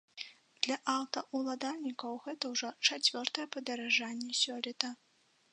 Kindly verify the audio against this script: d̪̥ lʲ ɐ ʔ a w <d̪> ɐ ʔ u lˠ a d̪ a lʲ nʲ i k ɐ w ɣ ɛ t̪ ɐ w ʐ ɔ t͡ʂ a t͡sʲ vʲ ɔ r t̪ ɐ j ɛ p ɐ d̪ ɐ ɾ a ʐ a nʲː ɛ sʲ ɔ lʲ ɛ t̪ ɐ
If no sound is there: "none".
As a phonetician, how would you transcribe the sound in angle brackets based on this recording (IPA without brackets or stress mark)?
t̪